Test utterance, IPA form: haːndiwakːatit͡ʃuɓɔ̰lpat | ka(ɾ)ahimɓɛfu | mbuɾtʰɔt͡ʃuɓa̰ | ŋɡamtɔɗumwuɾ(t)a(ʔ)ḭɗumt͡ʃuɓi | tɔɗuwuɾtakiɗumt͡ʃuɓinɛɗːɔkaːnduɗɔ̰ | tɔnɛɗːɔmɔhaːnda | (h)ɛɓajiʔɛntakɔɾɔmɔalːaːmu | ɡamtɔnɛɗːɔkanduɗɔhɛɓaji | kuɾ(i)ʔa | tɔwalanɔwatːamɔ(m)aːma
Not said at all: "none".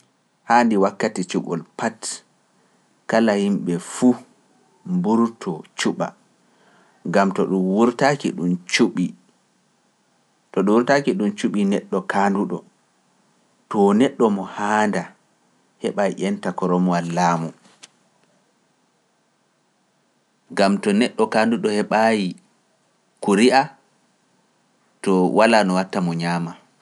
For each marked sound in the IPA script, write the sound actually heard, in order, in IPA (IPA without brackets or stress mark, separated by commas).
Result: l, t, k, h, i, ɲ